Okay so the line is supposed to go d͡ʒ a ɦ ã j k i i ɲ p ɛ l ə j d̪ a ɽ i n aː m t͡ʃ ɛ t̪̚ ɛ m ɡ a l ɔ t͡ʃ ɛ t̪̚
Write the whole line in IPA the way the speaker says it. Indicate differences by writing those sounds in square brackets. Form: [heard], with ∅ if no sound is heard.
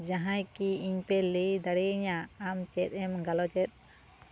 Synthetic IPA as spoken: d͡ʒ a ɦ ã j k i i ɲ p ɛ l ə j d̪ a ɽ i [ɲ] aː m t͡ʃ ɛ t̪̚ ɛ m ɡ a l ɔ t͡ʃ ɛ t̪̚